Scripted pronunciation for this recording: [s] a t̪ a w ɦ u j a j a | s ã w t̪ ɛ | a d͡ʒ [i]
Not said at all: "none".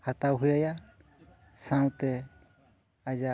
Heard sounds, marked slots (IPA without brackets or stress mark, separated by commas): h, a